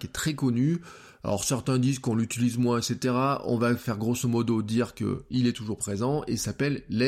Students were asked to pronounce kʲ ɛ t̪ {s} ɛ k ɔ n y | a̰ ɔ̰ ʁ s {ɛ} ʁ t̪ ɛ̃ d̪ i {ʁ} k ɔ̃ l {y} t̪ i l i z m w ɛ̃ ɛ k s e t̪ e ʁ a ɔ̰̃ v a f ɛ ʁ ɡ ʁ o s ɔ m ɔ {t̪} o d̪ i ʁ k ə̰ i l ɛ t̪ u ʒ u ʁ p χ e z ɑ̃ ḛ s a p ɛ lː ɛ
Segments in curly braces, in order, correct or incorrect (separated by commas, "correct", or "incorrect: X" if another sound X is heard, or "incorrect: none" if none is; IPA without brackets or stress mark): incorrect: χ, correct, incorrect: z, correct, incorrect: d̪